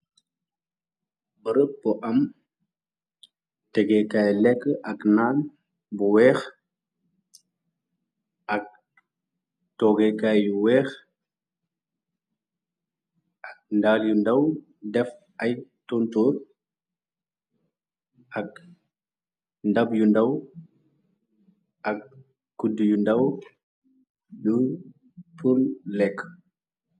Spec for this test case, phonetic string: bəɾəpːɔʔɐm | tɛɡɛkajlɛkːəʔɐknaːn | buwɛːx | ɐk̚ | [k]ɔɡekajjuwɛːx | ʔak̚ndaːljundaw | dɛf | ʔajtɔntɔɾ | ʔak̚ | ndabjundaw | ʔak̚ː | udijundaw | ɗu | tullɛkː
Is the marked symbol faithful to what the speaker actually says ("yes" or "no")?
no